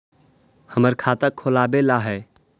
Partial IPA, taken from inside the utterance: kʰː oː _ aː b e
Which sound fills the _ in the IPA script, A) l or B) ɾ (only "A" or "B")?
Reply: A